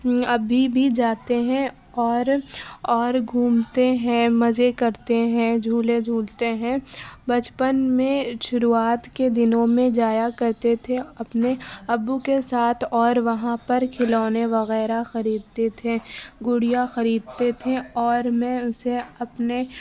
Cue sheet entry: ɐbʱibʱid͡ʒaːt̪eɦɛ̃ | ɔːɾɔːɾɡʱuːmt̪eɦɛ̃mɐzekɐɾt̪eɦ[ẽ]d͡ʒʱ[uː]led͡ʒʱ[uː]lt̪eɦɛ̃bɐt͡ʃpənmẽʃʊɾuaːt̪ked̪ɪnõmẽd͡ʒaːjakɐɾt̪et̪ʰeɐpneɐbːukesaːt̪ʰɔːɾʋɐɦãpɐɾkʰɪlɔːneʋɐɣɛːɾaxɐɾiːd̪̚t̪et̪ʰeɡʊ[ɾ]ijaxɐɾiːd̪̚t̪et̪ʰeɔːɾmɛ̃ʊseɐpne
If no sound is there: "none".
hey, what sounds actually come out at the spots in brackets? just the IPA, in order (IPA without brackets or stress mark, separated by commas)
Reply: ɛ̃, uː, uː, ɽ